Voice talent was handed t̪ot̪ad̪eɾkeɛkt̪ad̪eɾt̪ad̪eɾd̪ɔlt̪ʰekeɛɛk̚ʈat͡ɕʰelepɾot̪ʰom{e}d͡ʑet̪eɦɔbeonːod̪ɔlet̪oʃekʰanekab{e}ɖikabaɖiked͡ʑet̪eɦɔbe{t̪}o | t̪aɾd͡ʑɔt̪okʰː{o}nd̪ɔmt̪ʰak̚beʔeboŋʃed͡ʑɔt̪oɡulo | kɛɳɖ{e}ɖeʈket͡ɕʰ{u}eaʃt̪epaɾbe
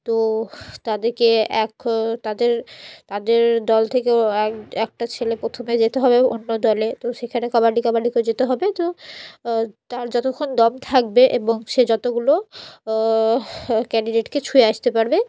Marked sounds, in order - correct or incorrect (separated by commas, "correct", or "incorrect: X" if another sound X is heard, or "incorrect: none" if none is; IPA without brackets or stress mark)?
correct, incorrect: a, correct, correct, incorrect: i, correct